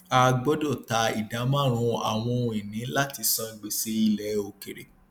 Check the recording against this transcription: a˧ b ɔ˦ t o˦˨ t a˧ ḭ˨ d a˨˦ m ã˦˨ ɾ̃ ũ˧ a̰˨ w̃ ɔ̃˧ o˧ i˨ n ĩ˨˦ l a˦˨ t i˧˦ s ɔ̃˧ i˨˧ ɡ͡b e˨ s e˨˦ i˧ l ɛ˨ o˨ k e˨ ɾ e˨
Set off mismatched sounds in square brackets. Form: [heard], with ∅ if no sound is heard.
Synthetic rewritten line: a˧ [ɡ͡b] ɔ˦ [d] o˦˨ t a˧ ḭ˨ d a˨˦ m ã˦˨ ɾ̃ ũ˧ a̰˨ w̃ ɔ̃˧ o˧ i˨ n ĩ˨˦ l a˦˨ t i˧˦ s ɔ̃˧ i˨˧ ɡ͡b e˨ s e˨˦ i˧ l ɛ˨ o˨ k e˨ ɾ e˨

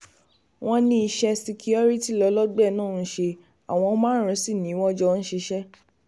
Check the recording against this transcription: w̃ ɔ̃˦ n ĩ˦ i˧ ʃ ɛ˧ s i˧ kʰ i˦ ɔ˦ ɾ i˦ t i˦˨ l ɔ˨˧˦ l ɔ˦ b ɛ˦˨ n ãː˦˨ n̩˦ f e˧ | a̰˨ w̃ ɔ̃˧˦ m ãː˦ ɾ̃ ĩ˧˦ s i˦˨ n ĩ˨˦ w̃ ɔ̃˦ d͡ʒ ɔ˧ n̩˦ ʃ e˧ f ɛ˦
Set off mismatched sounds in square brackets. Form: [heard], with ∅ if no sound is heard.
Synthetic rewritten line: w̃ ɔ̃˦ n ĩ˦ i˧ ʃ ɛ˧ s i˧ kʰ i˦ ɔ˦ ɾ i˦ t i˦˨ l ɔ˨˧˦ l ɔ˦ [ɡ͡b] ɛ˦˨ n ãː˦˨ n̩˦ [ʃ] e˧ | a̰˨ w̃ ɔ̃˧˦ m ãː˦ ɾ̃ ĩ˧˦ s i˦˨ n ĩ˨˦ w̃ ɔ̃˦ d͡ʒ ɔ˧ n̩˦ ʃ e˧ [ʃ] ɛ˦

